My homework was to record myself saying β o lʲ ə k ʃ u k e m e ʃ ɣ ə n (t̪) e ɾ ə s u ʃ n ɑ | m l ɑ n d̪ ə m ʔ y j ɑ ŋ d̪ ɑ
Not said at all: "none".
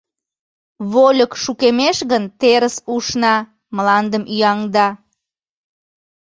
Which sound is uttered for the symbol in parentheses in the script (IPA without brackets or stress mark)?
t̪